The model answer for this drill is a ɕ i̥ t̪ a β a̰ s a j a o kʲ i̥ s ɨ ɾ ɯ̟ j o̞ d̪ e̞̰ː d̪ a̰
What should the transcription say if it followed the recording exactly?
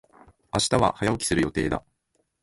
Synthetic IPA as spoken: a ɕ i̥ t̪ a β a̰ h a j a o kʲ i̥ s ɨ ɾ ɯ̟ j o̞ t̪ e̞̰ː d̪ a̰